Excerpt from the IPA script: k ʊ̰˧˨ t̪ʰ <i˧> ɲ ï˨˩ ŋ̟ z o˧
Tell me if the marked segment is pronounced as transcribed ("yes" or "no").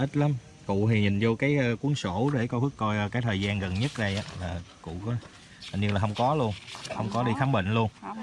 no